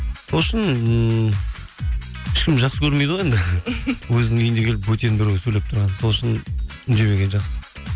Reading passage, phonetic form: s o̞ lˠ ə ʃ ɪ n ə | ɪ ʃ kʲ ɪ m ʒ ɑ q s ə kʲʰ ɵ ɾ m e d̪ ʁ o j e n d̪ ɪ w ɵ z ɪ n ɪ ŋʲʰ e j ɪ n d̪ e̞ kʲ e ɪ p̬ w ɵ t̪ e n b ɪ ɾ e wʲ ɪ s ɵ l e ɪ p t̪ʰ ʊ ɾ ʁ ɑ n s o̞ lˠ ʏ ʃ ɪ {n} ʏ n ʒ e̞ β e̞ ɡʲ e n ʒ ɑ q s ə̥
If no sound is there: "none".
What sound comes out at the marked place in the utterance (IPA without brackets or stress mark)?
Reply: n